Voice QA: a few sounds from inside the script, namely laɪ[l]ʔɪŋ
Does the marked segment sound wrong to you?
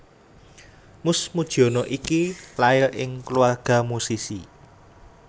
no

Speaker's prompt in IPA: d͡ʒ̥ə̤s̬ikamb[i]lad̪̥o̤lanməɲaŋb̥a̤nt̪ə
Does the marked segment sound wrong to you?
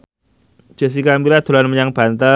no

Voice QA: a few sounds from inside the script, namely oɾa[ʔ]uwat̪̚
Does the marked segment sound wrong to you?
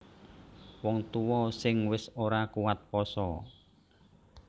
yes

